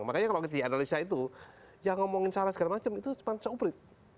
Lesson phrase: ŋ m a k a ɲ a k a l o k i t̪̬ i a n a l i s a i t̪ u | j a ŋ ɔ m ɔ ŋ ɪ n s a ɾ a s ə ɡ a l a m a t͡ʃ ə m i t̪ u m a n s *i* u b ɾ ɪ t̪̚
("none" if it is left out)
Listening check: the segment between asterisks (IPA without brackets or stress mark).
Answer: a